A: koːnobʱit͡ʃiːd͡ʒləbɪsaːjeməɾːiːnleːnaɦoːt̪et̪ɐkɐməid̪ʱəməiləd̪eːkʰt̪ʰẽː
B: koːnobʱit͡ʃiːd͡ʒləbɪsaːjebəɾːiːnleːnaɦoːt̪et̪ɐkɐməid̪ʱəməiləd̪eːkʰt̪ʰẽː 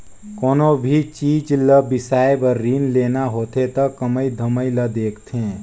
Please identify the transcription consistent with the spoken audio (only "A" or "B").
B